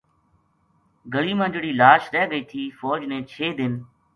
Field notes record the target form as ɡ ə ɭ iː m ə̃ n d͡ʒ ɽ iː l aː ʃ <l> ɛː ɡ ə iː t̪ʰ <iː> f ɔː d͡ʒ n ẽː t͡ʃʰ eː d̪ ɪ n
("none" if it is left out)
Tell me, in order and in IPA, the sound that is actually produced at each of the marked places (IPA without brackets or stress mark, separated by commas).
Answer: ɾ, iː